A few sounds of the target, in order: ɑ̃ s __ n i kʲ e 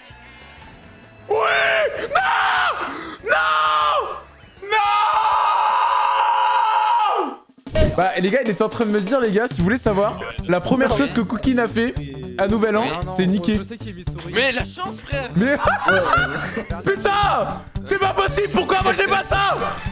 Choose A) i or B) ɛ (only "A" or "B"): B